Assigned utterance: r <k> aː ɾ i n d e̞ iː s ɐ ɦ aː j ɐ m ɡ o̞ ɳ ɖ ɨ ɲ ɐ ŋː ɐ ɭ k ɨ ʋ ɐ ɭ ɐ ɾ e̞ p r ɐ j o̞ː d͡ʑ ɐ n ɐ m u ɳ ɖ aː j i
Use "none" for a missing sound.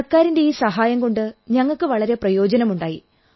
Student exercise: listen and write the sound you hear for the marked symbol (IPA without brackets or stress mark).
k